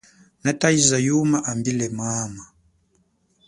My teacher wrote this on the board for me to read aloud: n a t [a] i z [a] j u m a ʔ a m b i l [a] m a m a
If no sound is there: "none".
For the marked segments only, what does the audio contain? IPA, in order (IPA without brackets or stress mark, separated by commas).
a, a, ɛ